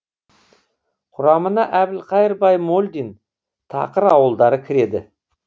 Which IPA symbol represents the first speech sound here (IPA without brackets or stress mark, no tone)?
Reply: qʰ